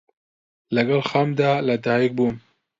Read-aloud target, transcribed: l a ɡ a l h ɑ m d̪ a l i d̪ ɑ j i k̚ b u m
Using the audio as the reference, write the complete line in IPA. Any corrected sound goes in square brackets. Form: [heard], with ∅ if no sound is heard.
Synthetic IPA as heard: l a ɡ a l [x] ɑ m d̪ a l [a] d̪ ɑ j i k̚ b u m